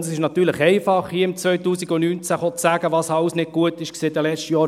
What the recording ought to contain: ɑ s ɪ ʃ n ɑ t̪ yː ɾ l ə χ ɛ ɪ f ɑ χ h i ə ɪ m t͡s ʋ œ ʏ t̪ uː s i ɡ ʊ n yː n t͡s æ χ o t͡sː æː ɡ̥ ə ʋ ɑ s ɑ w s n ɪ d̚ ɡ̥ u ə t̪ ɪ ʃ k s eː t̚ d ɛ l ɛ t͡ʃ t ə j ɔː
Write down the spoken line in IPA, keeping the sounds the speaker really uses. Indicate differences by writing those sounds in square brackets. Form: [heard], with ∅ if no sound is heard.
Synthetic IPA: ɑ s ɪ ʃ n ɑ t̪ yː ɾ l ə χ ɛ ɪ f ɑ χ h i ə ɪ m t͡s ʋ œ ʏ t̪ uː s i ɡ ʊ n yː n t͡s æ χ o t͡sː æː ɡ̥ ə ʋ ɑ s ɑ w s n ɪ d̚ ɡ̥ u ə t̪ ɪ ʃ k s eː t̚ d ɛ l ɛ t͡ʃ t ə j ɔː